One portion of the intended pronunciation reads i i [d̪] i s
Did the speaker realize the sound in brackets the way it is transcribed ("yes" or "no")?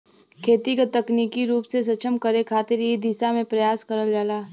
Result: yes